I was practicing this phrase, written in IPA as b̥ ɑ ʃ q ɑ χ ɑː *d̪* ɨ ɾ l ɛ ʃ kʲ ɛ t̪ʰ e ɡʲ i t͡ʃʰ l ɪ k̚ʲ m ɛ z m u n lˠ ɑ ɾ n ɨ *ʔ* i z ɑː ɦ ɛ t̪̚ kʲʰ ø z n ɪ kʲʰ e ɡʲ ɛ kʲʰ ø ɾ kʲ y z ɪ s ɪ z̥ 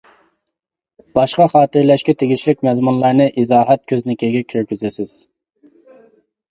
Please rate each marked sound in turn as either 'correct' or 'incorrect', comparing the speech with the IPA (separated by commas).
incorrect, correct